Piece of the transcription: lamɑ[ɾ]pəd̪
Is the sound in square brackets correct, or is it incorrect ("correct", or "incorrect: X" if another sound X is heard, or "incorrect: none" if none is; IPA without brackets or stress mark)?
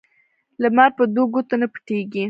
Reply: correct